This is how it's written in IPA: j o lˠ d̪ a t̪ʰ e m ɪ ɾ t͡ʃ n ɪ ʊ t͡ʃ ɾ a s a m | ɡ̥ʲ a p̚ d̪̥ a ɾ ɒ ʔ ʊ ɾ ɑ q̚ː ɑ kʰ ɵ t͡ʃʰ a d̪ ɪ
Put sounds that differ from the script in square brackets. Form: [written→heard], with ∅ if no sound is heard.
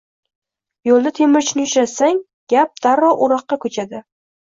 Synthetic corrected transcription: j o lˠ d̪ a t̪ʰ e m ɪ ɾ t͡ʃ n ɪ ʊ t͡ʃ ɾ a s a [m→ŋ] | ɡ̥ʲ a p̚ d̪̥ a ɾ ɒ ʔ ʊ ɾ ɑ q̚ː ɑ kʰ ɵ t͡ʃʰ a d̪ ɪ